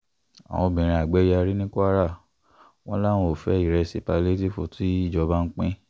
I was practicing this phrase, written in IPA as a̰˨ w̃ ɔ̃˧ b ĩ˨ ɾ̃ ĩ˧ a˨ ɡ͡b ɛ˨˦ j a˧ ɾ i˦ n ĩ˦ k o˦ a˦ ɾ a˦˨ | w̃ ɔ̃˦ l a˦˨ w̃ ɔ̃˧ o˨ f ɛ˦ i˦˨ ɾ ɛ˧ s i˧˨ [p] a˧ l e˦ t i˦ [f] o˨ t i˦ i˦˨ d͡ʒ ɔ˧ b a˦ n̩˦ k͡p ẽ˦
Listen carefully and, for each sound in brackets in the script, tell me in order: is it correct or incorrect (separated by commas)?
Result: correct, correct